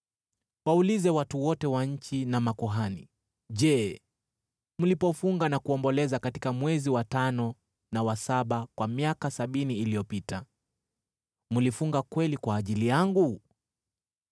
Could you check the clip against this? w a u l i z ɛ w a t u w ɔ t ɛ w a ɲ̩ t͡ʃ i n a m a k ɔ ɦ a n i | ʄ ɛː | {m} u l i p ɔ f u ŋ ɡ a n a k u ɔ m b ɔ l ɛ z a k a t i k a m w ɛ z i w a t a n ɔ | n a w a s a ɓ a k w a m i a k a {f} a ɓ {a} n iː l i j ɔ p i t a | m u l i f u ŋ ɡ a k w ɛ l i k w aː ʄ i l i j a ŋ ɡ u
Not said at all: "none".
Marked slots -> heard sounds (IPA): m, s, i

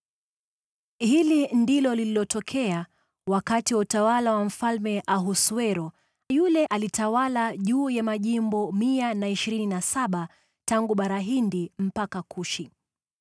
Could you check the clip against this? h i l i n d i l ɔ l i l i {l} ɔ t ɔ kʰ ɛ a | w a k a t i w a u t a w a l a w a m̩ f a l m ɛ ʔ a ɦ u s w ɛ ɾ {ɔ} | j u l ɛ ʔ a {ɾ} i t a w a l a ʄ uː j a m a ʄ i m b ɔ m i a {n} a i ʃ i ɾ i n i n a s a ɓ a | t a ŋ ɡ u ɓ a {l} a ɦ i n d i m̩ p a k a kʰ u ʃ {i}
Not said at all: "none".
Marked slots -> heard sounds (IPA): l, ɔ, l, n, ɾ, i

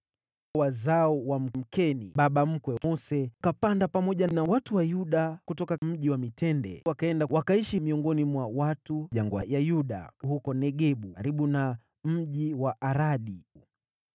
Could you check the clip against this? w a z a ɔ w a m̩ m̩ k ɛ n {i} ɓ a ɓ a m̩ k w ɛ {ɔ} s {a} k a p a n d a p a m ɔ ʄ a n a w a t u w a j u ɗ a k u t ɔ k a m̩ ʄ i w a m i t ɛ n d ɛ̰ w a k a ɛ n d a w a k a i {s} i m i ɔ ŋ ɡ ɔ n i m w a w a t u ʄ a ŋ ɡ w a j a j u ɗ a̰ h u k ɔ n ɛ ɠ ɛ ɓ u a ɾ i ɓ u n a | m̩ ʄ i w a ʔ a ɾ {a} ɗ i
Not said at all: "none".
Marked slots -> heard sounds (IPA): i, ɔ, ɛ, ʃ, a

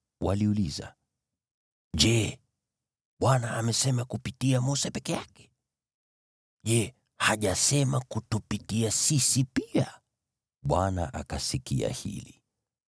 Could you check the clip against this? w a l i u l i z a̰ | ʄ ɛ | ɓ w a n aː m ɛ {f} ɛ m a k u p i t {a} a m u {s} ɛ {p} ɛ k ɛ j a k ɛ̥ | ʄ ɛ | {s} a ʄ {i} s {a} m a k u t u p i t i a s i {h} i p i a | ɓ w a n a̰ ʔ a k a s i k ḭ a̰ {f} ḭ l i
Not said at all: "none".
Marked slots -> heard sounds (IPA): s, i, s, p, h, a, ɛ, s, h

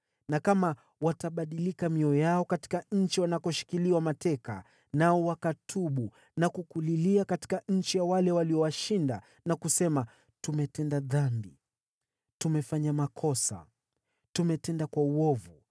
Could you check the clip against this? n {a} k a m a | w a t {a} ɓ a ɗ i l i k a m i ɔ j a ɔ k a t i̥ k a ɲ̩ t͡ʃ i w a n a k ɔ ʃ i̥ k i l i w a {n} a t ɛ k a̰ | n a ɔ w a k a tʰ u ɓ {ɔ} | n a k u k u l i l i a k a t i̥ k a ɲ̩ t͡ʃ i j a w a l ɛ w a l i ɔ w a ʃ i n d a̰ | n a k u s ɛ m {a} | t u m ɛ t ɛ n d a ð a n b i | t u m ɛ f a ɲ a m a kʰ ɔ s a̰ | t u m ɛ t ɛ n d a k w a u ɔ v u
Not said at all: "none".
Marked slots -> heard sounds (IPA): a, a, m, u, a

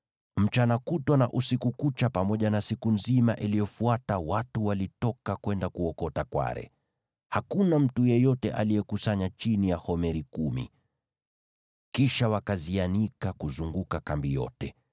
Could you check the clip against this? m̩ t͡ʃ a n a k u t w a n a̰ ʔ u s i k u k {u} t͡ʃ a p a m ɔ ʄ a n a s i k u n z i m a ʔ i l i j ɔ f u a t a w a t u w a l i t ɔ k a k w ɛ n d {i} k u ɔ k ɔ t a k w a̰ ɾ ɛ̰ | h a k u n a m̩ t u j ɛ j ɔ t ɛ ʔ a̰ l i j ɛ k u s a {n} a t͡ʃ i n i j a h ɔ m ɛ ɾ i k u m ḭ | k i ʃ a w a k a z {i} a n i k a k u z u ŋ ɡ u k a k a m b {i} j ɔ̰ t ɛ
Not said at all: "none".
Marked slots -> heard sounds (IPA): u, a, ɲ, i, i

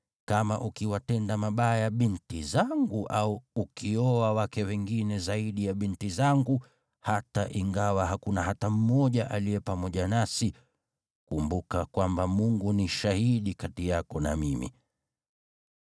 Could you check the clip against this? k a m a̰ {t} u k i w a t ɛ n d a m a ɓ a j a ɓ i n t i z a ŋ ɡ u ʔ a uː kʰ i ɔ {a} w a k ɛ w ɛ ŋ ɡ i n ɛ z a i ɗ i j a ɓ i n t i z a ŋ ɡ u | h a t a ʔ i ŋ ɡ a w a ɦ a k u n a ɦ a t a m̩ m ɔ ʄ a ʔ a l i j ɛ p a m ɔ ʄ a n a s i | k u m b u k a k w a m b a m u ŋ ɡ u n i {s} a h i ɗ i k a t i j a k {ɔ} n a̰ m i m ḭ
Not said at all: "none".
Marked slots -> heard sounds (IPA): ʔ, a, ʃ, ɔ

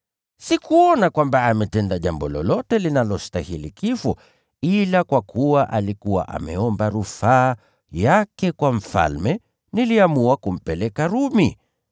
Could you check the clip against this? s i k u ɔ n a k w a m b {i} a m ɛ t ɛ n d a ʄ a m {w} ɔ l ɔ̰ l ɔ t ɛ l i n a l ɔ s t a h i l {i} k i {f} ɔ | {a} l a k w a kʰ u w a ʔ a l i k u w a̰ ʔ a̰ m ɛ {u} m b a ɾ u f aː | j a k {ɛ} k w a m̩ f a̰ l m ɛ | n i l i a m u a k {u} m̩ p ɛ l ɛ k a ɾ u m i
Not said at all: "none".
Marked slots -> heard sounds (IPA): a, b, i, f, i, ɔ, ɛ, u

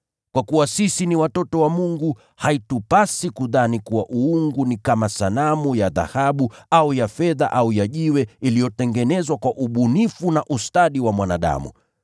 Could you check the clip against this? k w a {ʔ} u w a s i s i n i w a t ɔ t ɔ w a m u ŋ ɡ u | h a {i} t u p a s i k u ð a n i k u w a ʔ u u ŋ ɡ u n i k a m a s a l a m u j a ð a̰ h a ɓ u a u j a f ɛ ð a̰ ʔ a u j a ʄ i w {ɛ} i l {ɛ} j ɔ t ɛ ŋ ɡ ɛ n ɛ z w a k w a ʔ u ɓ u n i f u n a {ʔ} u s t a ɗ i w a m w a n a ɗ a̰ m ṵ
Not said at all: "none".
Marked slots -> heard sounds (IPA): k, i, ɛ, i, ʔ

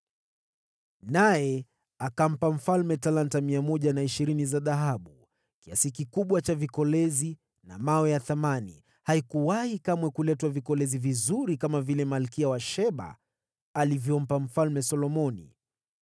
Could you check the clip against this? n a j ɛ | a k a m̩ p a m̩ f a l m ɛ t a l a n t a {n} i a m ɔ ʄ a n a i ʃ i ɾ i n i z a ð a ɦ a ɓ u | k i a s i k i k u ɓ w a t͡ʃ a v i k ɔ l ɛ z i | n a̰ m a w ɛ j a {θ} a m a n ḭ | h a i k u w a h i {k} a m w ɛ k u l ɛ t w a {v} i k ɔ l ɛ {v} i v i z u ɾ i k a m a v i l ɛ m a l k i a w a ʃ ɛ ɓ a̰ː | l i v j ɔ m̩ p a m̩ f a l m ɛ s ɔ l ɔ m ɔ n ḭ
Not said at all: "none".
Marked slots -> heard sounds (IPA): m, θ, k, v, z

